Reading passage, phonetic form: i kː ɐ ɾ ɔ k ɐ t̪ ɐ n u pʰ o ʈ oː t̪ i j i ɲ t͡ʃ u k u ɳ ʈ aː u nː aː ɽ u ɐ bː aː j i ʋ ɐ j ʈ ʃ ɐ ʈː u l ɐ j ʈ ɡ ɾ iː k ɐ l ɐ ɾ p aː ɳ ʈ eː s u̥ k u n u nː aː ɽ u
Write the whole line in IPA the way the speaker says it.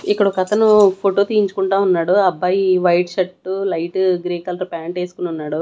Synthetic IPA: i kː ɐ ɽ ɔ k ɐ t̪ ɐ n u pʰ o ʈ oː t̪ i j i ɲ t͡ʃ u k u ɳ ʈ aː u nː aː ɽ u ɐ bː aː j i ʋ ɐ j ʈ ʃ ɐ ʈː u l ɐ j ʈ ɡ ɾ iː k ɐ l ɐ ɾ p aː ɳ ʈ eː s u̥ k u n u nː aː ɽ u